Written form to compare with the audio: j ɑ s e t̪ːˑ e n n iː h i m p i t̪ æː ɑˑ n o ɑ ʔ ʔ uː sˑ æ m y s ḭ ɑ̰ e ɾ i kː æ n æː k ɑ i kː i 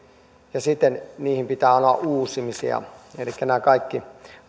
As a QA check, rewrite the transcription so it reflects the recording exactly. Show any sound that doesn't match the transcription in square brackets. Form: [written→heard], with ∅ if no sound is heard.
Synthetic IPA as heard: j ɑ s [e→i] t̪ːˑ e n n iː h i m p i t̪ æː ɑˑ n o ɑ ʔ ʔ uː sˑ [æ→i] m [y→i] s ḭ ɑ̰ e [ɾ→l] i kː æ n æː k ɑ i kː i